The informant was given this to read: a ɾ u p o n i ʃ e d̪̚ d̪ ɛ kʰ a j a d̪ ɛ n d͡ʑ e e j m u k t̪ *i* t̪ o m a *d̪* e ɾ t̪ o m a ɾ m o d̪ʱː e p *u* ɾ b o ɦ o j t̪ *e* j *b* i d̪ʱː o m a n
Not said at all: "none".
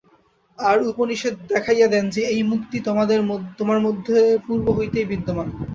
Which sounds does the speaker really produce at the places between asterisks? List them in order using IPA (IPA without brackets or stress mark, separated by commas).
i, d̪, u, e, b